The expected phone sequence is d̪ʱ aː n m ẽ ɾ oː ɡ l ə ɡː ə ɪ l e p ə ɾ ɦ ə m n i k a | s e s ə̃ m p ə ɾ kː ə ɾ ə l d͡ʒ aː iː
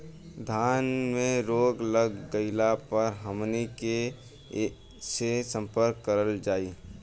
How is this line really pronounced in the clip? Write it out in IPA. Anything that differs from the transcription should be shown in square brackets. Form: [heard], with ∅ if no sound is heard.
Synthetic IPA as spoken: d̪ʱ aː n m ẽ ɾ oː ɡ l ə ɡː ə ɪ l [a] p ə ɾ ɦ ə m n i k [e] | s e s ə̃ m p ə ɾ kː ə ɾ ə l d͡ʒ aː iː